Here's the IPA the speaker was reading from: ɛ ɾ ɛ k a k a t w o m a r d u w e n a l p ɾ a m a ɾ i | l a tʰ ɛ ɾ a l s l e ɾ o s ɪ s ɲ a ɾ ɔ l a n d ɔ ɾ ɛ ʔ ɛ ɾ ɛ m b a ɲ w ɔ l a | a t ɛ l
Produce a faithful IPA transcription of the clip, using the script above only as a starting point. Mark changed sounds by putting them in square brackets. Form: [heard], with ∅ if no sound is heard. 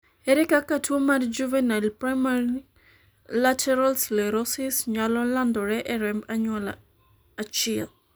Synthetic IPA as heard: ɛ ɾ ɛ k a k a t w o m a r [d͡ʒ] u [v] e n a l p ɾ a m a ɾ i | l a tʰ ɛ ɾ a l s l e ɾ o s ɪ s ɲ a [l] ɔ l a n d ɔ ɾ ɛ ʔ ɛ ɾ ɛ m b a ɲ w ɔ l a | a [t͡ʃ] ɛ l

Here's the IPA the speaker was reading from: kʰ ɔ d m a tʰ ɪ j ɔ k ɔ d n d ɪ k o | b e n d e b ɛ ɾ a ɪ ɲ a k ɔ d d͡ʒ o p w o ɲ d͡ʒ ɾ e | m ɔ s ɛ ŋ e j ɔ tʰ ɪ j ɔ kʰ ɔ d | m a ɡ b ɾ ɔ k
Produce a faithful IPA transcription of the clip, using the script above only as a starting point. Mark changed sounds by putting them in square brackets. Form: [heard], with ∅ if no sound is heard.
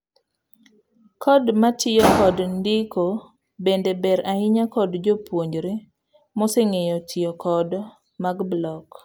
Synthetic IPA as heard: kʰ ɔ d m a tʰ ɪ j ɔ k ɔ d n d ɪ k o | b e n d e b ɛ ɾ a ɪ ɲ a k ɔ d d͡ʒ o p w o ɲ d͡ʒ ɾ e | m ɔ s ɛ ŋ e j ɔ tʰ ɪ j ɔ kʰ ɔ d | m a ɡ b [l] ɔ k

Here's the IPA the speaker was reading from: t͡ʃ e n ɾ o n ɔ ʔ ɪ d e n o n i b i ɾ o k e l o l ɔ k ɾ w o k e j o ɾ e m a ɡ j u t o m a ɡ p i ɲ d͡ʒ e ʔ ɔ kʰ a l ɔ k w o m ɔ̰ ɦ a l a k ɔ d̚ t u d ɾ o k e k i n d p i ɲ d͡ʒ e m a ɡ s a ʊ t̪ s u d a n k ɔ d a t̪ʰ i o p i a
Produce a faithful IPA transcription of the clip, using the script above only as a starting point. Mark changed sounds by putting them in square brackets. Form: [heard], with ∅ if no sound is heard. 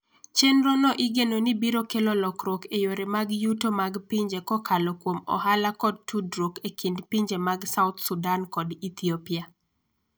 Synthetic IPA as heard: t͡ʃ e n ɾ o n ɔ ʔ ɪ [ɡ] e n o n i b i ɾ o k e l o l ɔ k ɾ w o k e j o ɾ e m a ɡ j u t o m a ɡ p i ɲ d͡ʒ e [k] ɔ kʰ a l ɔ k w o m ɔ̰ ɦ a l a k ɔ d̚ t u d ɾ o k e k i n d p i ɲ d͡ʒ e m a ɡ s a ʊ t̪ s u d a n k ɔ d [i] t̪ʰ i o p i a

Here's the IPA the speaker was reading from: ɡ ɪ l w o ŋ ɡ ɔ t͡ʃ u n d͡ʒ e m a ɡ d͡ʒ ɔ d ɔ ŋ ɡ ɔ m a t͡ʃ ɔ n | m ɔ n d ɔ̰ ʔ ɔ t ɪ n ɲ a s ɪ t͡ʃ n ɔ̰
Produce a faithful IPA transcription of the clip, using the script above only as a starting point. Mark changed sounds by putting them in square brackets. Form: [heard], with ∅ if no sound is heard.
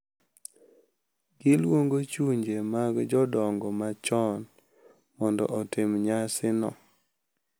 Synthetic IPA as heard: ɡ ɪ l w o ŋ ɡ [o] t͡ʃ u [ɲ] d͡ʒ e m a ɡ d͡ʒ ɔ d ɔ ŋ ɡ ɔ m a t͡ʃ ɔ n | m ɔ n d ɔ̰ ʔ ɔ t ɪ [m] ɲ a s ɪ [∅] n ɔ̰

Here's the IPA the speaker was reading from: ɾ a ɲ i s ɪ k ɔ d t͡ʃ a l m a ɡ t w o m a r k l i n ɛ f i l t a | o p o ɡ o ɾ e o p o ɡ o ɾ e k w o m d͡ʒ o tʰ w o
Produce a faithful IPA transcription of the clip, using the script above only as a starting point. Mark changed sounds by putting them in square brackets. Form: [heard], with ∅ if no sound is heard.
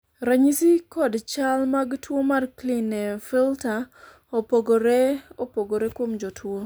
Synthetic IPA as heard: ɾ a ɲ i s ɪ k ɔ d t͡ʃ a l m a ɡ t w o m a r k l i n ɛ f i l t a | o p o ɡ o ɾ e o p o ɡ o ɾ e k w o m d͡ʒ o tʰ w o

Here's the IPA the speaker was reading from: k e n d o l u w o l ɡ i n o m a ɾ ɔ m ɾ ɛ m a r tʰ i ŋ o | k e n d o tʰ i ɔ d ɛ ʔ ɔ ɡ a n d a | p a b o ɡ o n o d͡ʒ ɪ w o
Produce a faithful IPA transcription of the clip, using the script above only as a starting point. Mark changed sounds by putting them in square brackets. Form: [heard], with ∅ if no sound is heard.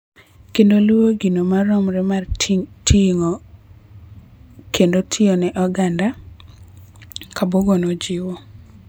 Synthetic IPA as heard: k e n d o l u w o [∅] ɡ i n o m a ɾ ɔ m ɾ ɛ m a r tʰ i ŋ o | k e n d o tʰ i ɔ [n] ɛ ʔ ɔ ɡ a n d a | [k] a b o ɡ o n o d͡ʒ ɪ w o

